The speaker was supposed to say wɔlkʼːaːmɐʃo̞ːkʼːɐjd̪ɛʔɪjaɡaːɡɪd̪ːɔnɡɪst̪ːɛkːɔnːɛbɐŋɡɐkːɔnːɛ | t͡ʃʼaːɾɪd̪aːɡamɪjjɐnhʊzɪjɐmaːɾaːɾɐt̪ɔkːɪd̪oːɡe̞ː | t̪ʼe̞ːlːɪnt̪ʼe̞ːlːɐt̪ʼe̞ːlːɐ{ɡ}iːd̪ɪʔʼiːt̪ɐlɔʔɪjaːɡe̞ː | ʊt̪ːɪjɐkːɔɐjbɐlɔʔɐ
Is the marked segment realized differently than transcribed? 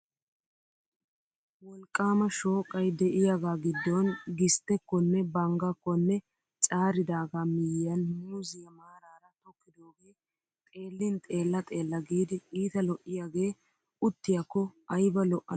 no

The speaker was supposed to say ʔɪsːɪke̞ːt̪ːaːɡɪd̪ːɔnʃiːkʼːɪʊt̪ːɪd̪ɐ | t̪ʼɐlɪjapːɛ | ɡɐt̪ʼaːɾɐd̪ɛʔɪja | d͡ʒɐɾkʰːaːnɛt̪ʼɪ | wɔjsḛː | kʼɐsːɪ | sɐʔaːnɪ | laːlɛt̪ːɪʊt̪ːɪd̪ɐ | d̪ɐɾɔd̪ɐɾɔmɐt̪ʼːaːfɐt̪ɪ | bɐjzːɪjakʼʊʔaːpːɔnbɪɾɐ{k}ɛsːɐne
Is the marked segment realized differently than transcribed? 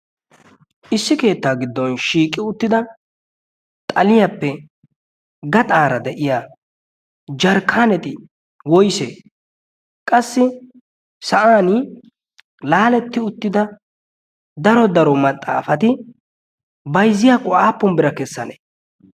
no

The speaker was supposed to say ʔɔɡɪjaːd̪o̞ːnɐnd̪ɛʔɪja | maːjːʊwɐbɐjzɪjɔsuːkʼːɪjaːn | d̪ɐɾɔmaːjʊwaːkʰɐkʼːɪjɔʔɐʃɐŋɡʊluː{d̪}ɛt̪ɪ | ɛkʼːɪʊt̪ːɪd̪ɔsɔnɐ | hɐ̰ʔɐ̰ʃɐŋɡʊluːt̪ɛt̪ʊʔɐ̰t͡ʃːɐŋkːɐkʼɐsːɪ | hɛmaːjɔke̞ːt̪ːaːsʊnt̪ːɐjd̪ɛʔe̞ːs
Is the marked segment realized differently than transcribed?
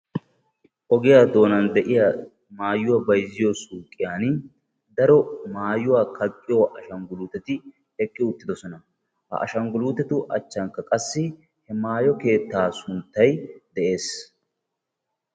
yes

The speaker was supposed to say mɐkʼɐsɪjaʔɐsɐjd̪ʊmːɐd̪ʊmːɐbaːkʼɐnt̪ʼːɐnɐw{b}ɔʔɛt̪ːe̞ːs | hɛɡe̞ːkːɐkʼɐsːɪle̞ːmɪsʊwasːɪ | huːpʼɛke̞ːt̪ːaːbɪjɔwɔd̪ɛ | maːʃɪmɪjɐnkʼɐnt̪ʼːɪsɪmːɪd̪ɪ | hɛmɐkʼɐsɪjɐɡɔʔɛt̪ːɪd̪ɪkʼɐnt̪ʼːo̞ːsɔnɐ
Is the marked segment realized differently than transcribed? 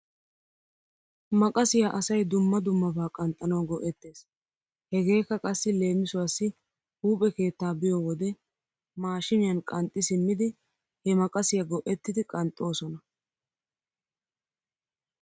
yes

